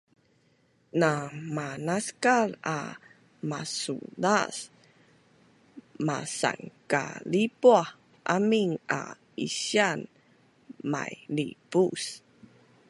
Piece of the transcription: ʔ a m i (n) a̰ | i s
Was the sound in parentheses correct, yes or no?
no